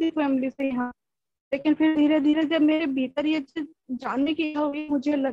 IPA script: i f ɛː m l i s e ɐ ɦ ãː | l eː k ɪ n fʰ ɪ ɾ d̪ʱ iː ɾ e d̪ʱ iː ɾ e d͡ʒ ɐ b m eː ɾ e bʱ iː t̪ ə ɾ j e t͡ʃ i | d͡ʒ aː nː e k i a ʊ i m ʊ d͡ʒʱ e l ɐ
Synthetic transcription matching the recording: i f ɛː m l i s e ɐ ɦ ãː | l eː k ɪ n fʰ ɪ ɾ d̪ʱ iː ɾ e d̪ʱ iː ɾ e d͡ʒ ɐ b m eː ɾ e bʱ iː t̪ ə ɾ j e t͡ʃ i | d͡ʒ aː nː e k i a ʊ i m ʊ d͡ʒʱ e l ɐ